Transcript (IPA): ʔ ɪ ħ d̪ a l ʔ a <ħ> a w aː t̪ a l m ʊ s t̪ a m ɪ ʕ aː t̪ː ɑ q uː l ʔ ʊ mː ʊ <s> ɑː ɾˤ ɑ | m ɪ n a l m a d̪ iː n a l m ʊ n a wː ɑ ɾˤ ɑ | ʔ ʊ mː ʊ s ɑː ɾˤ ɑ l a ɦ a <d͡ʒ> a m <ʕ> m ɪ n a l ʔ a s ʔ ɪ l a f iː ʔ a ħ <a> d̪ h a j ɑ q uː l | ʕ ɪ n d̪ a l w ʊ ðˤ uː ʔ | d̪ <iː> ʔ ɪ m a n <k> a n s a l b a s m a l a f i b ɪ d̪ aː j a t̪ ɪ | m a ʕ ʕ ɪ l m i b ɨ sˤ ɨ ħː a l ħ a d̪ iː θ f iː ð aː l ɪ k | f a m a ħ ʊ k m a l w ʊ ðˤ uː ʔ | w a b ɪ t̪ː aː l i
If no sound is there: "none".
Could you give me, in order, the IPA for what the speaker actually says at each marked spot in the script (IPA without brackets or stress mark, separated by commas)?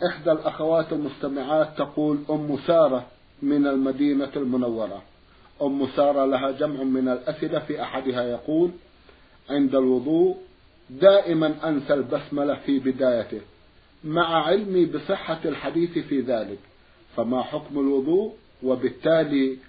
x, s, d͡ʒ, ʕ, a, aː, ʔ